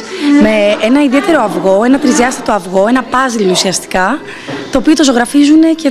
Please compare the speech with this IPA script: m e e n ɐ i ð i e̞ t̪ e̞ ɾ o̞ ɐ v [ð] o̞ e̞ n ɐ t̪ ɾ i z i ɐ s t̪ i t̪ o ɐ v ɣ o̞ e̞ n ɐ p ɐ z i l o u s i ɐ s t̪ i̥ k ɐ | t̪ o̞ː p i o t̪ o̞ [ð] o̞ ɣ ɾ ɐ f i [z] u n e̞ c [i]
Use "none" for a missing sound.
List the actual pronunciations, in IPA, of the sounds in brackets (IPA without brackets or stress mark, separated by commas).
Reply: ɣ, z, z, e